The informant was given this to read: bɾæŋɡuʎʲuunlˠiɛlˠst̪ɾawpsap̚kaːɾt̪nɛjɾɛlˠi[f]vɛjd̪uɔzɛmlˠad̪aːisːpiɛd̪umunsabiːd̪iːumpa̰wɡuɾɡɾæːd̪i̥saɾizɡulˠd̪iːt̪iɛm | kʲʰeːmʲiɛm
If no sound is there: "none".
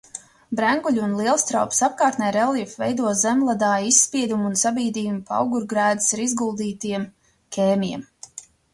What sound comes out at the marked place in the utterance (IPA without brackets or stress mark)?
f